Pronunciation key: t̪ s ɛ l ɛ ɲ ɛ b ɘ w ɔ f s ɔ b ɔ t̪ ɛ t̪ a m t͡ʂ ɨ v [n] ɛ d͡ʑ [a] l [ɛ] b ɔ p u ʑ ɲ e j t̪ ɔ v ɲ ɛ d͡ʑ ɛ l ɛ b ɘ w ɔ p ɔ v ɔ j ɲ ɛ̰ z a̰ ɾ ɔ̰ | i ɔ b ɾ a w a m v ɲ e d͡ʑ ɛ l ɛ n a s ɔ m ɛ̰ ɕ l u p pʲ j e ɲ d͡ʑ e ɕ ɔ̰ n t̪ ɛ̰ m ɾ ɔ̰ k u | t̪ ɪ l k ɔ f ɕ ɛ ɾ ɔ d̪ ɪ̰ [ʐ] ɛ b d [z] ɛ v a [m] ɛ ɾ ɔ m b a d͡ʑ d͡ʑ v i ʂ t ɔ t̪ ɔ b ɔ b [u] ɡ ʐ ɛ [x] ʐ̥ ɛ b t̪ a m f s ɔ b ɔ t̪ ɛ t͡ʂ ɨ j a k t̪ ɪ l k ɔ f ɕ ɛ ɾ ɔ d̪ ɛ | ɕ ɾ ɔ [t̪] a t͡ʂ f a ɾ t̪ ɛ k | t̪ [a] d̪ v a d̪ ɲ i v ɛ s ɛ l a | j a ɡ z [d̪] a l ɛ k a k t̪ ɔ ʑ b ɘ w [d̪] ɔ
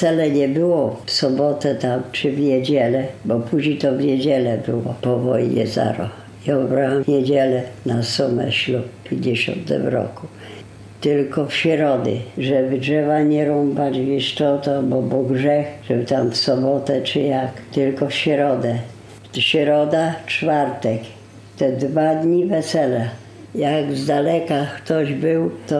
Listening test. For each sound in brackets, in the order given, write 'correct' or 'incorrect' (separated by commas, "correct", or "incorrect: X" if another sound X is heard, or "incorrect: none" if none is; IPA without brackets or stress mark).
incorrect: ɲ, incorrect: ɛ, correct, correct, incorrect: ʐ, incorrect: ɲ, incorrect: ɔ, correct, incorrect: d̪, incorrect: ɛ, correct, incorrect: t̪